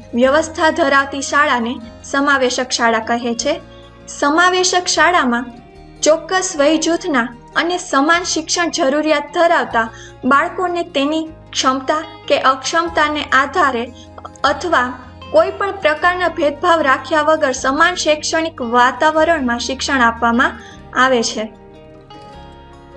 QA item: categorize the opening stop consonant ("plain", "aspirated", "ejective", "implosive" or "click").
aspirated